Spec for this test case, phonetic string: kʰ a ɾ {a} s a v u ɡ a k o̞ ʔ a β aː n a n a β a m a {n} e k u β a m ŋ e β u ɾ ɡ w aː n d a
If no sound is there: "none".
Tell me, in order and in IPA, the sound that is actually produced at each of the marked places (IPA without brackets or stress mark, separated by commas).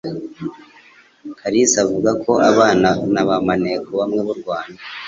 i, n